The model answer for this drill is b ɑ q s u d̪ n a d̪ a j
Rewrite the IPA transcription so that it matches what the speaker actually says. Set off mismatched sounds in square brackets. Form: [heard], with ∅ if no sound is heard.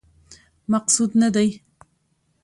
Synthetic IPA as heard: [m] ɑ q s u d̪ n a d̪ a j